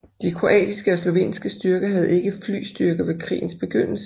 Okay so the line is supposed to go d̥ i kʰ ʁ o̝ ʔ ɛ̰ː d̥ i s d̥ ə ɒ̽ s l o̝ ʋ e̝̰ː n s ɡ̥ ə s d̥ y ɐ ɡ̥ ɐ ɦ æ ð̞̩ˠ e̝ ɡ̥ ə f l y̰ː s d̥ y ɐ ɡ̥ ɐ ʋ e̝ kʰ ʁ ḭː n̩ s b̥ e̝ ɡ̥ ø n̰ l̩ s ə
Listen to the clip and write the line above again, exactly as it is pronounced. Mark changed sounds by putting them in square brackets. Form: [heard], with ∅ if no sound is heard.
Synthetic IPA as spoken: d̥ i kʰ ʁ o̝ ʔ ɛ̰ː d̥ i s [ɡ̥] ə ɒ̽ s l o̝ ʋ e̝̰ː n s ɡ̥ ə s d̥ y ɐ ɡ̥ ɐ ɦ æ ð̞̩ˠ e̝ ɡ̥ ə f l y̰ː s d̥ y ɐ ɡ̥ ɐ ʋ e̝ kʰ ʁ ḭː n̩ s b̥ e̝ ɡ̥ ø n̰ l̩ s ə